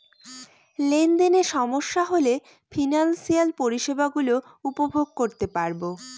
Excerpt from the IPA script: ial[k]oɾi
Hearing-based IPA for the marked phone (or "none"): p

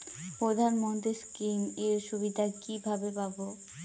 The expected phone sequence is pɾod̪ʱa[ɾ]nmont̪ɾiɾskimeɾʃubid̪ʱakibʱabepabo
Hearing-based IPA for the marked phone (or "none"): none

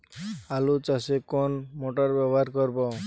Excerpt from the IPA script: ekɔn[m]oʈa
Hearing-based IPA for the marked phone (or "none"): m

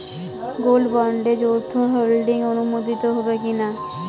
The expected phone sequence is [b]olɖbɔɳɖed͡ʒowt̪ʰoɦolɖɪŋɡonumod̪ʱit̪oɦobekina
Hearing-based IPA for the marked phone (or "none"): ɡ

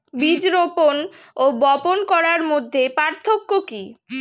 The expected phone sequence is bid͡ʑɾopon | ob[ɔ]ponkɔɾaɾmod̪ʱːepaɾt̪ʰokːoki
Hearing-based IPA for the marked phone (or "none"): ɔ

